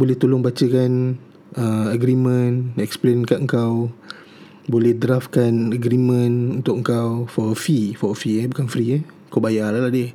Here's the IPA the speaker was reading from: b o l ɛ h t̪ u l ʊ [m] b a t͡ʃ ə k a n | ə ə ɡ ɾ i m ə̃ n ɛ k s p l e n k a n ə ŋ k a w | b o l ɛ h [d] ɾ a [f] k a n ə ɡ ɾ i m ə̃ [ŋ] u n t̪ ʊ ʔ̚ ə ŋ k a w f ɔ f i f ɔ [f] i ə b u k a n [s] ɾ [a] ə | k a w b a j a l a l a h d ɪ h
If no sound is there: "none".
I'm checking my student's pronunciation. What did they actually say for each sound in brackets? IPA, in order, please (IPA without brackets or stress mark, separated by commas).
ŋ, d, f, n, f, f, i